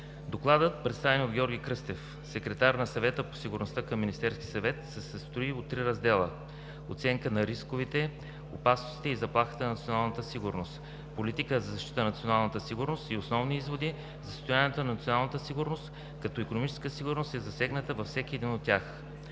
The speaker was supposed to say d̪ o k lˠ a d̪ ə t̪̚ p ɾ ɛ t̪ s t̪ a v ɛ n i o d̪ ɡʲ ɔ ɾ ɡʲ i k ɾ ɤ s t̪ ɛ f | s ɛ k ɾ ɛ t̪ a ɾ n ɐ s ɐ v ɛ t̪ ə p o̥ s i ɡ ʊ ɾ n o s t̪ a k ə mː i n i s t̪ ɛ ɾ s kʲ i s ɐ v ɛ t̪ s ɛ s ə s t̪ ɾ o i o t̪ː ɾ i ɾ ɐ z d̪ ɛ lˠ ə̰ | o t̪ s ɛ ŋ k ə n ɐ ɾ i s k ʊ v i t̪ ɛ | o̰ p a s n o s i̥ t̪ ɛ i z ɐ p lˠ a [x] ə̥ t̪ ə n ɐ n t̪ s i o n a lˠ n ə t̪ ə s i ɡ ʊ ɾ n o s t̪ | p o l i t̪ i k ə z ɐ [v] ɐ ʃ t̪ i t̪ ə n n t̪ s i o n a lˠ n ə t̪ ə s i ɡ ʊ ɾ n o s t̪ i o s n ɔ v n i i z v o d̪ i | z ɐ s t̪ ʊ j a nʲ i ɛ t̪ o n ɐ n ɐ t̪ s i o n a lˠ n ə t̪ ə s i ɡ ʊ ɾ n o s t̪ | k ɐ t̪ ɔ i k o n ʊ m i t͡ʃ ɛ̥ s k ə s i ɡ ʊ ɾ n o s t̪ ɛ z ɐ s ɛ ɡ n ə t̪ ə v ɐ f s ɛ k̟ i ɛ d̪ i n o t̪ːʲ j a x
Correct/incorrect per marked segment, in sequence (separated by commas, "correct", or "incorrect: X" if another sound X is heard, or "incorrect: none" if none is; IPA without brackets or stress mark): correct, incorrect: z